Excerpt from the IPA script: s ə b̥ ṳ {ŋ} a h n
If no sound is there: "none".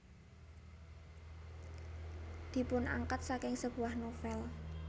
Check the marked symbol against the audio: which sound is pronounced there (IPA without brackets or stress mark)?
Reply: none